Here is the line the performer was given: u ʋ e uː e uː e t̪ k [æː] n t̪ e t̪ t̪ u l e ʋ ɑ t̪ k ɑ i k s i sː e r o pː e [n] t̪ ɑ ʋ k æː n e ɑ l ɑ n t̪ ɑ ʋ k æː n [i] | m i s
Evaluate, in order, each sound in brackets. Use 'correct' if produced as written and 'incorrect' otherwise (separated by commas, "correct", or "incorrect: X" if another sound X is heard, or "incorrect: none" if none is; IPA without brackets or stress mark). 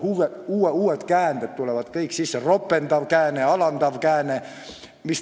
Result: correct, correct, incorrect: e